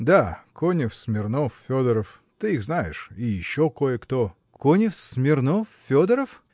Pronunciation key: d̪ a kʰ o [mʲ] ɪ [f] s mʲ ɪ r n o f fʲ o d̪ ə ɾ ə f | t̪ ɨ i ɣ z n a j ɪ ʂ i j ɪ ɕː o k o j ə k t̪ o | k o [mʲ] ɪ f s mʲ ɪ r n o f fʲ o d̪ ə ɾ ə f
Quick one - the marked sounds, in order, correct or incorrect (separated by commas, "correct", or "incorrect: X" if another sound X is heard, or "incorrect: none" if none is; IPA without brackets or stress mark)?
incorrect: nʲ, correct, incorrect: nʲ